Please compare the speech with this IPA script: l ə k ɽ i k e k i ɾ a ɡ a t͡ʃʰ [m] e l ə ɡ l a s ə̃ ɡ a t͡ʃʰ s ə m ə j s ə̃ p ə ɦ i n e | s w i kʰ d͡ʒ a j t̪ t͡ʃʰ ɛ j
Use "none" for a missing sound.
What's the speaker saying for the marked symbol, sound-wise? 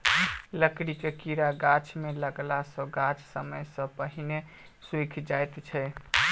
m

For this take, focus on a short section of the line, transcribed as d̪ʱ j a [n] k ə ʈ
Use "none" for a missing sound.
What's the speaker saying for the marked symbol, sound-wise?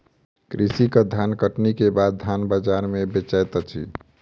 n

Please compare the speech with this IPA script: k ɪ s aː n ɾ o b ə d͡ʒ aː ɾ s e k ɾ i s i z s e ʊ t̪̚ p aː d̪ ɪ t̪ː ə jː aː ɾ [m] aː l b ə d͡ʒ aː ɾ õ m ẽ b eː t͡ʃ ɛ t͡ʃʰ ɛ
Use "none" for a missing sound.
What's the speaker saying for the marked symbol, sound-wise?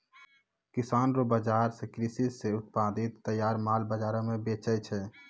m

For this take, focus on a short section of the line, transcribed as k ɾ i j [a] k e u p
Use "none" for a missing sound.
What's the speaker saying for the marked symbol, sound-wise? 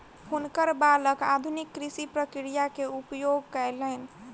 a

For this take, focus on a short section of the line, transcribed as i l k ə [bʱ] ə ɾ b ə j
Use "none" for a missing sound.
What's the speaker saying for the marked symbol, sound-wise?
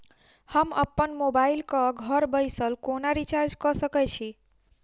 ɡʱ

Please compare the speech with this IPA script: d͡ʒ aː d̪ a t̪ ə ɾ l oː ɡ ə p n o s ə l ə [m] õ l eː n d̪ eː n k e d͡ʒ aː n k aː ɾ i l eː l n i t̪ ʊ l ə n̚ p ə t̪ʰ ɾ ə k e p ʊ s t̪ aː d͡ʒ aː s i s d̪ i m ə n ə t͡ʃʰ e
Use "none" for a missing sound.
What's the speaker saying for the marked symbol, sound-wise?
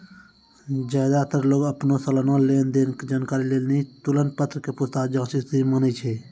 n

